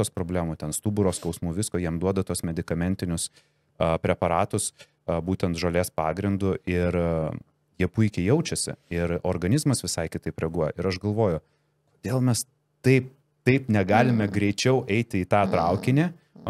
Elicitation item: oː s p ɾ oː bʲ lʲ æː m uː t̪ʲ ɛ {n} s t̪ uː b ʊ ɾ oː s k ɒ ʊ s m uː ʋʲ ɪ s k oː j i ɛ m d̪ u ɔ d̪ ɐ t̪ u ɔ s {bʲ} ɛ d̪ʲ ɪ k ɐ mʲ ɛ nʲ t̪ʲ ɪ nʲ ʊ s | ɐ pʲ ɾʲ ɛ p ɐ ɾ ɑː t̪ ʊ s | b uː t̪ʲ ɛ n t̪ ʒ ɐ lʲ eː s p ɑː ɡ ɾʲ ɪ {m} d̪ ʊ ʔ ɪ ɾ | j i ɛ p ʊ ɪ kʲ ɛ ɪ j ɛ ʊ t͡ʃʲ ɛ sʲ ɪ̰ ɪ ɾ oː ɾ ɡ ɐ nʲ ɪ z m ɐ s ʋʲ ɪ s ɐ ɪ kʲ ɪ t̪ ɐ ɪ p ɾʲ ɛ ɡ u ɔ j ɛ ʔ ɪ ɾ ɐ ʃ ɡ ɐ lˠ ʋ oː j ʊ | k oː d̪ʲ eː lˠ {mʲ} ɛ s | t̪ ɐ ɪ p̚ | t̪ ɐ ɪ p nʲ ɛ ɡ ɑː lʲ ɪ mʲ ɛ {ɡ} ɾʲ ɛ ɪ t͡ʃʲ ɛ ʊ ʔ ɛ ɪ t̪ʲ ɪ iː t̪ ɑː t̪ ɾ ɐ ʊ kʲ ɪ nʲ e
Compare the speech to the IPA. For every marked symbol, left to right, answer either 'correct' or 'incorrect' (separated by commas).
correct, incorrect, incorrect, correct, correct